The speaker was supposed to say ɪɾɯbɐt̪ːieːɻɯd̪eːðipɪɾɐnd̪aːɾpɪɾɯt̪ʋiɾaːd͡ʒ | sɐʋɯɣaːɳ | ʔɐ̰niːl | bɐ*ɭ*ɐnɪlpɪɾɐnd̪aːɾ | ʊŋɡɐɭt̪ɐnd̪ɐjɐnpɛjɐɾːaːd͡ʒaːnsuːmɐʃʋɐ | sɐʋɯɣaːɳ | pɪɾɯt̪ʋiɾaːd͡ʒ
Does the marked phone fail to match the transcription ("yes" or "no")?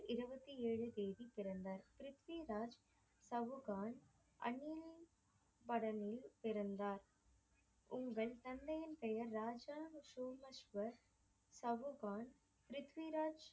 yes